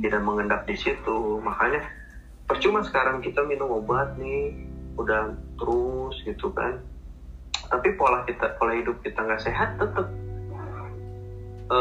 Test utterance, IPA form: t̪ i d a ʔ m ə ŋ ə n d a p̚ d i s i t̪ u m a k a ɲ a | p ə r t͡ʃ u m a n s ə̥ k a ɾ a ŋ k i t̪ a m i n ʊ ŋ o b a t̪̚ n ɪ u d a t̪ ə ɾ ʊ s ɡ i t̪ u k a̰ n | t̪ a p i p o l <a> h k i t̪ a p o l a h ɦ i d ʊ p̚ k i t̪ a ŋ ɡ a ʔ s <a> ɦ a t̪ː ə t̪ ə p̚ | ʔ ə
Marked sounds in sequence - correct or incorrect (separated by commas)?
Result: correct, incorrect